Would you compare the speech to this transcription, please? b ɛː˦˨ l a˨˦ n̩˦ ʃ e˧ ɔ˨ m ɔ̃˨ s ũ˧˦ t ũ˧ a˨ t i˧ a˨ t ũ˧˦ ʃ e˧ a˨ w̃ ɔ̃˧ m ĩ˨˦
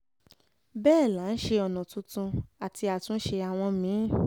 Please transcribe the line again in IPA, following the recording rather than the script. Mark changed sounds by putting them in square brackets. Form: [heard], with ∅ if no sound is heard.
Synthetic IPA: b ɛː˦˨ l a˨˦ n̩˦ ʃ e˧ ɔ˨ [n] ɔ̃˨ [t] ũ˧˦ t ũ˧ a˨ t i˧ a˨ t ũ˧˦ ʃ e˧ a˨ w̃ ɔ̃˧ m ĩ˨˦